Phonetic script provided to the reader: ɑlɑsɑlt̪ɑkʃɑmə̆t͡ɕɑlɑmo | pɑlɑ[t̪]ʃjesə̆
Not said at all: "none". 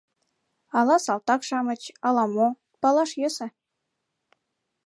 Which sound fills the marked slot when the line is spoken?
none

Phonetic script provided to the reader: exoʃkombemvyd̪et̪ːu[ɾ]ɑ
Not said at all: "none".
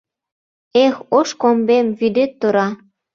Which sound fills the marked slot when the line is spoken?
ɾ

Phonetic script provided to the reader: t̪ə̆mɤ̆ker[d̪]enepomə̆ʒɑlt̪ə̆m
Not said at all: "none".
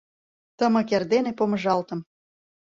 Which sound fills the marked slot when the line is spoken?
d̪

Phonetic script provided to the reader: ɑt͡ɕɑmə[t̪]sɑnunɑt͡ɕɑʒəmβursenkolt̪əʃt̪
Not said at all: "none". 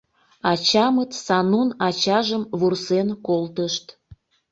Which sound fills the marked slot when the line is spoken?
t̪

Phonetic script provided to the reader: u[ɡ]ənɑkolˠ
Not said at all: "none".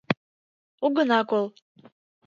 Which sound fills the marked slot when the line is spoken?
ɡ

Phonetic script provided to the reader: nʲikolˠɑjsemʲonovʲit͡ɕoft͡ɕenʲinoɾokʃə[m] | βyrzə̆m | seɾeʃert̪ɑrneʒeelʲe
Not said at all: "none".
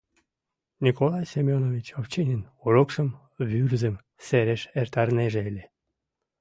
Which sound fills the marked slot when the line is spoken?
m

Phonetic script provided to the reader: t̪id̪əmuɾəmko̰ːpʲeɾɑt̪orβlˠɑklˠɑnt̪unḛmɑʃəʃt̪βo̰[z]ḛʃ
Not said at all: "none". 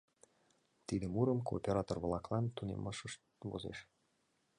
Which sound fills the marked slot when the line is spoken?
z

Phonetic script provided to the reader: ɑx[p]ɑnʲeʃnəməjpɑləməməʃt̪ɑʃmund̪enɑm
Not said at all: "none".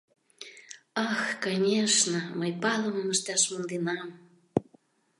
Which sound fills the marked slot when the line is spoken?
k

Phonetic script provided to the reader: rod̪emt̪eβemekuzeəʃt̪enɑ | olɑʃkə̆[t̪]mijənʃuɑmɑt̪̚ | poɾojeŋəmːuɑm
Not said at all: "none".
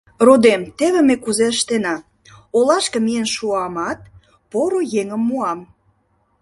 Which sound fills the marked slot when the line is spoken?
none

